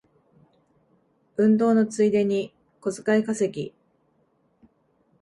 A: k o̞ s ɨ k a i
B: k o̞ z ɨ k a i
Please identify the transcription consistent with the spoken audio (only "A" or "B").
B